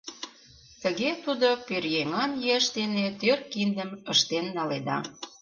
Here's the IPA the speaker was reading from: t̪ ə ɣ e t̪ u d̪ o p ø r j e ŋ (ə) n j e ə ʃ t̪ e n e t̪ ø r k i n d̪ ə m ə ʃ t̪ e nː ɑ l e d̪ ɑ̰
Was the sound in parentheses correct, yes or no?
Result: no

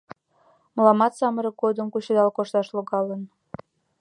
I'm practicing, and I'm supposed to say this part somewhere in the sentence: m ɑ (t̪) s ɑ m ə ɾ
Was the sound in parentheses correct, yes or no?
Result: yes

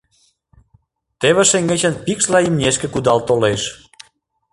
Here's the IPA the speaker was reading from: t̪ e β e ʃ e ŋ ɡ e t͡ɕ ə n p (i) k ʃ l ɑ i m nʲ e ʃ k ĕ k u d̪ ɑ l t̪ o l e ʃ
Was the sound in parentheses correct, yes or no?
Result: yes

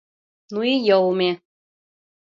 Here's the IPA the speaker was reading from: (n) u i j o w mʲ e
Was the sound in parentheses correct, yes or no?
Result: yes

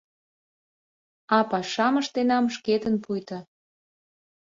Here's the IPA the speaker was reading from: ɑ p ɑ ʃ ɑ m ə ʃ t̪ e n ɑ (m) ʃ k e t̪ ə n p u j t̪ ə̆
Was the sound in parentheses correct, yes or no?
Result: yes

